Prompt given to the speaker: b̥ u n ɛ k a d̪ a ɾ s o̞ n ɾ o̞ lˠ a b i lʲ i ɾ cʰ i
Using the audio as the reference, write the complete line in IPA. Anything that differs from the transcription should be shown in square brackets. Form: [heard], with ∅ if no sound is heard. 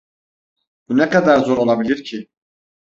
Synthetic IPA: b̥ u n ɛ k a d̪ a ɾ [z] o̞ [∅] ɾ o̞ lˠ a b i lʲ i ɾ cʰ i

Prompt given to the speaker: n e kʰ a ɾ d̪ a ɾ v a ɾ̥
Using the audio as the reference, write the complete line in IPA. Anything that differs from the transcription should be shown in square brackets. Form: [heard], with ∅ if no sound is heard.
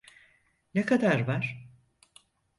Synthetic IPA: n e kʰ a [∅] d̪ a ɾ v a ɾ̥

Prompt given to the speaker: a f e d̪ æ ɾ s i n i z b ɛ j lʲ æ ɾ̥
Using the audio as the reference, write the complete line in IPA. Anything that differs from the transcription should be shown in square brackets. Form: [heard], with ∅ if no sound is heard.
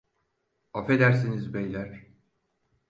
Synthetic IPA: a f e d̪ æ ɾ s i n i z b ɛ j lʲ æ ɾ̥

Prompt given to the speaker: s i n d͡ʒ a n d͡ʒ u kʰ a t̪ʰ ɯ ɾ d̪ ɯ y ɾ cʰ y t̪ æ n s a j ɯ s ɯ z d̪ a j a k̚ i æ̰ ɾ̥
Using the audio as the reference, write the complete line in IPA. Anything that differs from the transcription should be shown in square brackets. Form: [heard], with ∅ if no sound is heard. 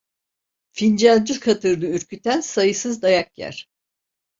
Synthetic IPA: [f] i n d͡ʒ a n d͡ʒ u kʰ a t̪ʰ ɯ ɾ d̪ ɯ y ɾ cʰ y t̪ æ n s a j ɯ s ɯ z d̪ a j a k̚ [j] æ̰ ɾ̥

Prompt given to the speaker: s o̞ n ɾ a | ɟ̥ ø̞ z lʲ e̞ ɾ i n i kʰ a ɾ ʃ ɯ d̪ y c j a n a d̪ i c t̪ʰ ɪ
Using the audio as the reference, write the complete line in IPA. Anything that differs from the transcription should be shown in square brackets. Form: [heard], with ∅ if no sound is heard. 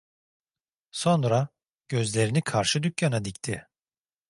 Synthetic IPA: s o̞ n ɾ a | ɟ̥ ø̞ z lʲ e̞ ɾ i n i kʰ a ɾ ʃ ɯ d̪ y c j a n a d̪ i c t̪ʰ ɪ

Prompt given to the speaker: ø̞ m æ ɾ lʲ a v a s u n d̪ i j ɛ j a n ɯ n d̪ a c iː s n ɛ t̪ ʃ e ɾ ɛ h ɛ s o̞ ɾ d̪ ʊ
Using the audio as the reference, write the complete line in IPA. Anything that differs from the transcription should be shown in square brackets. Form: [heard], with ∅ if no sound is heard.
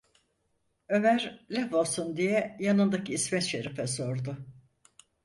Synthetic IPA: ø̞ m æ ɾ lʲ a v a s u n d̪ i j ɛ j a n ɯ n d̪ a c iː s [m] ɛ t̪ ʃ e ɾ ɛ [f] ɛ s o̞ ɾ d̪ ʊ

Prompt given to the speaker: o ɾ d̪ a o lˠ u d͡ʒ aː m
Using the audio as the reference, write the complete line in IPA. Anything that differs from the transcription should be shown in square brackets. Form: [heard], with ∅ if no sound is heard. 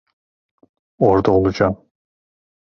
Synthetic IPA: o ɾ d̪ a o lˠ u d͡ʒ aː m

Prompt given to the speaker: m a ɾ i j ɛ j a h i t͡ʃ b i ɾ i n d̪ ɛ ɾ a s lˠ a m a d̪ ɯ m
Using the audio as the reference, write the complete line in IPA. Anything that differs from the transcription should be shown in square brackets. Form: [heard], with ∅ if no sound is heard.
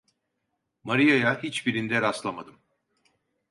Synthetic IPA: m a ɾ i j [a] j a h i t͡ʃ b i ɾ i n d̪ ɛ ɾ a s lˠ a m a d̪ ɯ m

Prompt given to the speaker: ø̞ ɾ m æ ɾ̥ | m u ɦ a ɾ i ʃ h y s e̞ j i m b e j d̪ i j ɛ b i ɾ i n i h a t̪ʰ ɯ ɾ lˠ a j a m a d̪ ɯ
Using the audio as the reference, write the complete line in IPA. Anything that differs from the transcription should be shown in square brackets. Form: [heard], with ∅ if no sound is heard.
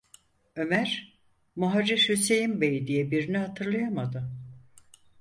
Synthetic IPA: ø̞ [∅] m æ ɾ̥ | m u ɦ a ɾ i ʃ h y s e̞ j i m b e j d̪ i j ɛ b i ɾ i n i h a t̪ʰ ɯ ɾ lˠ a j a m a d̪ ɯ

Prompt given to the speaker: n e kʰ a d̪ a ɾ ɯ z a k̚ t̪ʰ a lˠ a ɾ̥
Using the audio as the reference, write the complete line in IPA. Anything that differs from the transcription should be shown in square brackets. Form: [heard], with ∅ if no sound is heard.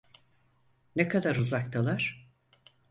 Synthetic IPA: n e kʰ a d̪ a ɾ [u] z a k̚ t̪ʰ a lˠ a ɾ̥

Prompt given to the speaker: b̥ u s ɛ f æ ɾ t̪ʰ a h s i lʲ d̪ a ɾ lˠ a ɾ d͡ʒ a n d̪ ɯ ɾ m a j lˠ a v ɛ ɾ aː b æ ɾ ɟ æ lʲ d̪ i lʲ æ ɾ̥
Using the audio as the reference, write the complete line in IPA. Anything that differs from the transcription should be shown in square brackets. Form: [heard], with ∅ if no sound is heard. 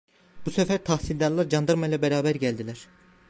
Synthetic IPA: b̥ u s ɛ f æ ɾ t̪ʰ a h s i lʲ d̪ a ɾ lˠ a ɾ d͡ʒ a n d̪ ɯ ɾ m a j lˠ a [b] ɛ ɾ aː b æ ɾ ɟ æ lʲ d̪ i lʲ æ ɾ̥

